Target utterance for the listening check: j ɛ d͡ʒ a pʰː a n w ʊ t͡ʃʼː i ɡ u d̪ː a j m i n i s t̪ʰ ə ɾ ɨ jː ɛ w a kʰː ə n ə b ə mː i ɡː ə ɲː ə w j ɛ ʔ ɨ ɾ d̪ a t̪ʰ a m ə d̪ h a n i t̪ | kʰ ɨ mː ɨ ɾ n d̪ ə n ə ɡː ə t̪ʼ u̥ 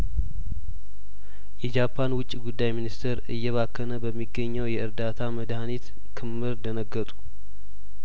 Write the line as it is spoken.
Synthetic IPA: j ɛ d͡ʒ a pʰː a n w ʊ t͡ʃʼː i ɡ u d̪ː a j m i n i s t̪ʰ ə ɾ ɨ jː ɛ β a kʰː ə n ə b ə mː i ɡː ə ɲː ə w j ɛ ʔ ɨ ɾ d̪ a t̪ʰ a m ə d̪ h a n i t̪ | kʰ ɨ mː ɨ ɾ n d̪ ə n ə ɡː ə t̪ʼ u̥